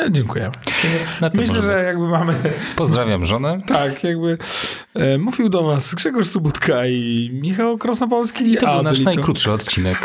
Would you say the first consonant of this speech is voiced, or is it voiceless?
voiced